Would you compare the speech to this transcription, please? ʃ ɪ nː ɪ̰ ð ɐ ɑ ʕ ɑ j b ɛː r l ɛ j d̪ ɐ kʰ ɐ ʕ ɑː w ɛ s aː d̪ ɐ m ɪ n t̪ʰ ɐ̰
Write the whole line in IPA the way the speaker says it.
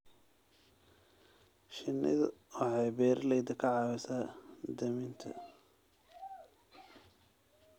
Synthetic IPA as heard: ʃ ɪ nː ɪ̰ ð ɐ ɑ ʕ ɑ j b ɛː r l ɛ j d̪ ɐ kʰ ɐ ʕ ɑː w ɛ s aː d̪ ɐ m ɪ n t̪ʰ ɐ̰